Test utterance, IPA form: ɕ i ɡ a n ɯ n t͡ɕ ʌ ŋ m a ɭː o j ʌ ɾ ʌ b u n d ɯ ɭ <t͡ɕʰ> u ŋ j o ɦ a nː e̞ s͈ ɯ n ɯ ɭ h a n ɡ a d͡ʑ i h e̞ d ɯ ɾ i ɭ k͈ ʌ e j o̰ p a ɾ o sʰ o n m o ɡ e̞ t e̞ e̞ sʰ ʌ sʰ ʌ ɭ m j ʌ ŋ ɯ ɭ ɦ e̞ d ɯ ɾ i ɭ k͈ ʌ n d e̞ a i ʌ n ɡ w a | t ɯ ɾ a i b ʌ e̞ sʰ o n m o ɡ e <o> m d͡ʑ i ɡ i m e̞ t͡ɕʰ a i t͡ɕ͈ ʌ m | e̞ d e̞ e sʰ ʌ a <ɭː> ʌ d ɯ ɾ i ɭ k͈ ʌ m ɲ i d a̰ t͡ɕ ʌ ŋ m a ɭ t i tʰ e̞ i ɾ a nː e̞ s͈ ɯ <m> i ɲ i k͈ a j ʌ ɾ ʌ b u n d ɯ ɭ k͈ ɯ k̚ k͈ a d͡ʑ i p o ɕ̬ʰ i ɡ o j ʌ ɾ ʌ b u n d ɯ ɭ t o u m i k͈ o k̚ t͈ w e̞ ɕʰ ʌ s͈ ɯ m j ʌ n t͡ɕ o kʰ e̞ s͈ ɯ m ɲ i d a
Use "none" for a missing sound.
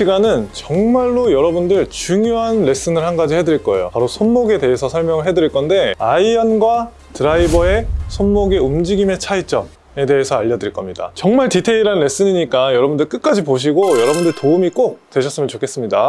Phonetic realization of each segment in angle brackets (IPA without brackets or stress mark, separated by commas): t͡ɕ, u, ʎː, ɲ